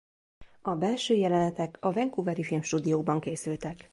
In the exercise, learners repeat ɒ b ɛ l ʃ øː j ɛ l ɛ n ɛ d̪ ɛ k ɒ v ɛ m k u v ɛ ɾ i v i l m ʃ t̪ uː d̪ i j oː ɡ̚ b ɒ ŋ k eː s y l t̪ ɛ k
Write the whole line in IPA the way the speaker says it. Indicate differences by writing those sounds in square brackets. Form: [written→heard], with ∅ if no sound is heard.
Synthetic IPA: ɒ b ɛ l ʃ øː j ɛ l ɛ n ɛ [d̪→t̪] ɛ k ɒ v ɛ [m→ŋ] k u v ɛ ɾ i [v→f] i l m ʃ t̪ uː d̪ i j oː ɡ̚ b ɒ ŋ k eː s y l t̪ ɛ k